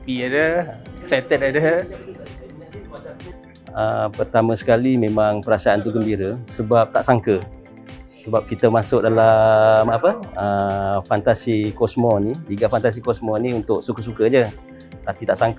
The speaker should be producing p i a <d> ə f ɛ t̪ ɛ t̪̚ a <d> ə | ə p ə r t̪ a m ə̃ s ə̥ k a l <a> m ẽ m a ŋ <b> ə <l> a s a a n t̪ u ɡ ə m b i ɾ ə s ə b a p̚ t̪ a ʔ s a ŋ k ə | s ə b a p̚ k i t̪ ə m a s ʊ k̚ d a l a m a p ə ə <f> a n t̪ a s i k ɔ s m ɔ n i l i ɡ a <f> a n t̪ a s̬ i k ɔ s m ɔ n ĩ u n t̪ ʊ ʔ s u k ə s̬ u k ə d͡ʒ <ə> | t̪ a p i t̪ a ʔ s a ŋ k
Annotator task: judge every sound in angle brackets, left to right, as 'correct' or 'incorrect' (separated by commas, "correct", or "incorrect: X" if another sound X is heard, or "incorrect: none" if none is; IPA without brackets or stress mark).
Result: correct, correct, incorrect: i, incorrect: p, incorrect: ɾ, correct, correct, correct